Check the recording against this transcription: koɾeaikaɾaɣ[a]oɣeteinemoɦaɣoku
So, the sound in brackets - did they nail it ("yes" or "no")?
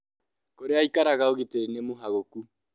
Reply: yes